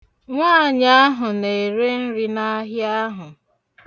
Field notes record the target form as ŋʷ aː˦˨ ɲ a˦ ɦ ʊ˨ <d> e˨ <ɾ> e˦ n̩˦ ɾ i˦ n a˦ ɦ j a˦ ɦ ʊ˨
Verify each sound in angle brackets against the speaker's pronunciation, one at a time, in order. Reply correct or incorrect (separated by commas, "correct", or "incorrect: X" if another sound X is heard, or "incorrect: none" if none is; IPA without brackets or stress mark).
incorrect: n, correct